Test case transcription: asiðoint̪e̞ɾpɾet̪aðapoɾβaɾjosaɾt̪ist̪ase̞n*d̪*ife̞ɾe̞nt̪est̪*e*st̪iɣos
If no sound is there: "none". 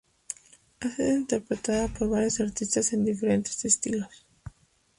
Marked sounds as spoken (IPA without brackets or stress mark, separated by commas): d̪, e